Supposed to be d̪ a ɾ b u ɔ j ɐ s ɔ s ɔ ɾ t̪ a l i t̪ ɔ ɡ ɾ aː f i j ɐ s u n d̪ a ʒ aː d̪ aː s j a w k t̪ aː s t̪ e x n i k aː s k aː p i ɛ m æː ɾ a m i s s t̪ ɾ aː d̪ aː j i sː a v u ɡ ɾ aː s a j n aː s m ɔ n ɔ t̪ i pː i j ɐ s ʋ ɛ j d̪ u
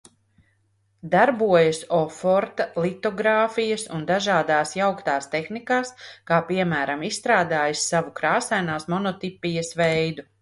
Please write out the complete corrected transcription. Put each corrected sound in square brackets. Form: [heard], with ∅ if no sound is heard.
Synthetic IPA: d̪ a ɾ b u ɔ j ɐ s ɔ [f] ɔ ɾ t̪ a l i t̪ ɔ ɡ ɾ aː f i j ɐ s u n d̪ a ʒ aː d̪ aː s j a w k t̪ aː s t̪ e x n i k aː s k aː p i ɛ m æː ɾ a m i s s t̪ ɾ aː d̪ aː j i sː a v u [k] ɾ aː s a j n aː s m ɔ n ɔ t̪ i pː i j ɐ s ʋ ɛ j d̪ u